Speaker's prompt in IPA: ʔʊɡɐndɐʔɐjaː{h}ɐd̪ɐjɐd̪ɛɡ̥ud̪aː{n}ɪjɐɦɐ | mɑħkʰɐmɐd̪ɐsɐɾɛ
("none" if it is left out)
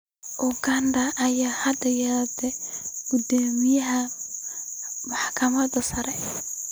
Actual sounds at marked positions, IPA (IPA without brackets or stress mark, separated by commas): h, m